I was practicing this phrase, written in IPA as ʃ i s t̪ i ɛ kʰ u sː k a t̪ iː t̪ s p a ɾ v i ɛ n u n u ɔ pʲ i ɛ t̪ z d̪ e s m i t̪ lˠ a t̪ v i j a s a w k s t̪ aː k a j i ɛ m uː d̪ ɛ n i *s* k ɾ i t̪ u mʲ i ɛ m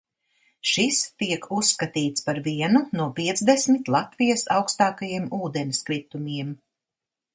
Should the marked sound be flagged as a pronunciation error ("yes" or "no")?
no